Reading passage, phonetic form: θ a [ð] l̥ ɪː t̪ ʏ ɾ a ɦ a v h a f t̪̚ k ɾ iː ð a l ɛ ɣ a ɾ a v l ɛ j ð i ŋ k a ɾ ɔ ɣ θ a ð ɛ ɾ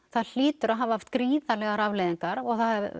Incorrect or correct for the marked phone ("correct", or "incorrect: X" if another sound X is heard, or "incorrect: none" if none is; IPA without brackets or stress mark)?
correct